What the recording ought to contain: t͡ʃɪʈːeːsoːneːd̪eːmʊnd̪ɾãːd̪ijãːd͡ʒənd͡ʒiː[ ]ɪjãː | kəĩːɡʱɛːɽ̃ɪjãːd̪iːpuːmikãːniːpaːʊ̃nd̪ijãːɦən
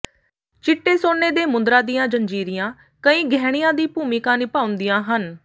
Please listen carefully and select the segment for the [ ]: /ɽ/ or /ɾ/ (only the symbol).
ɾ